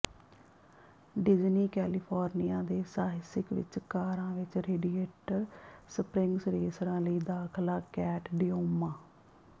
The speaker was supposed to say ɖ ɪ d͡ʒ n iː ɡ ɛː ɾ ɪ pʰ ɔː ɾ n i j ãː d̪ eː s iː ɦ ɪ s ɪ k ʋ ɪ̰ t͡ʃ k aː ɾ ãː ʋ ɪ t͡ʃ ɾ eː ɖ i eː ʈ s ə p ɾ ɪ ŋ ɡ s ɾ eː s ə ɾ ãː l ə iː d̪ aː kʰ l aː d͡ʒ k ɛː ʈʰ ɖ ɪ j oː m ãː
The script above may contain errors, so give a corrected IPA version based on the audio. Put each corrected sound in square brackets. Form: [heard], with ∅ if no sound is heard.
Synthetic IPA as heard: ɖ ɪ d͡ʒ n iː [k] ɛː [l] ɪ pʰ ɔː ɾ n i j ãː d̪ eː s [aː] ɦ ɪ s ɪ k ʋ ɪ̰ t͡ʃ k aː ɾ ãː ʋ ɪ t͡ʃ ɾ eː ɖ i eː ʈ s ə p ɾ ɪ ŋ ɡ s ɾ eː s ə ɾ ãː l ə iː d̪ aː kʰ l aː [∅] k ɛː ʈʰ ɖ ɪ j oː m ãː